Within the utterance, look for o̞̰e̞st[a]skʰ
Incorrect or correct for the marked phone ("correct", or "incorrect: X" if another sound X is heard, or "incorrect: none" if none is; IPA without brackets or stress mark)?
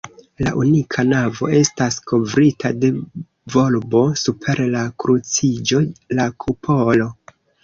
correct